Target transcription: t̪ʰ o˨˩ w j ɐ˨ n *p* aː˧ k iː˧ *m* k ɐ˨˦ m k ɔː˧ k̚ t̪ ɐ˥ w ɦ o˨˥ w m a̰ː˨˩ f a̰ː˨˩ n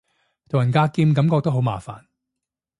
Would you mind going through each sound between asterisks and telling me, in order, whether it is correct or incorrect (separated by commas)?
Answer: incorrect, correct